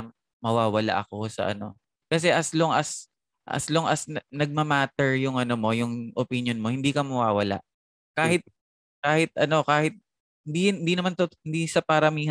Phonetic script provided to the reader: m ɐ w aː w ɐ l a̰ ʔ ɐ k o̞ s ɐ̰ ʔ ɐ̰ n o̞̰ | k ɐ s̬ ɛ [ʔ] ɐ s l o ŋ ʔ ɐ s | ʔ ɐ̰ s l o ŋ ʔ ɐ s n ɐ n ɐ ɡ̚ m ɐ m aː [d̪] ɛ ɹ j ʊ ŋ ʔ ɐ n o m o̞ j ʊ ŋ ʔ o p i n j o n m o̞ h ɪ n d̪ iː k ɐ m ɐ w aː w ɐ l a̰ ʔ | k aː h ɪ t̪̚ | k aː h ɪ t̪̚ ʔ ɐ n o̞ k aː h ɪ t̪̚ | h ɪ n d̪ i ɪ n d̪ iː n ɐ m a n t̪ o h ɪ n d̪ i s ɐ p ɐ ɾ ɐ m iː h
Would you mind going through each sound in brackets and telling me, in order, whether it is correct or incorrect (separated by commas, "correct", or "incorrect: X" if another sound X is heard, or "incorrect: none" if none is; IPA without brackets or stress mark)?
correct, incorrect: t̪